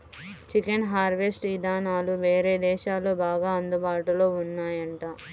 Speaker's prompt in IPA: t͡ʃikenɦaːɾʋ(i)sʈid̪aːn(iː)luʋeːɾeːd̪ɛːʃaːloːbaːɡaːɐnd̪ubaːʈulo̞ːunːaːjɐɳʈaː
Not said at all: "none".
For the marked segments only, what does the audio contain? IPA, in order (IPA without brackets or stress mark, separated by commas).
e, aː